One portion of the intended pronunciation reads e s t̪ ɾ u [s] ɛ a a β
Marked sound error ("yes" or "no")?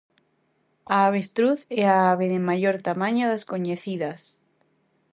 yes